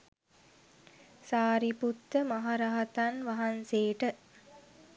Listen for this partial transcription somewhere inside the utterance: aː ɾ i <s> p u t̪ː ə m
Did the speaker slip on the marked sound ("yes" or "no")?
yes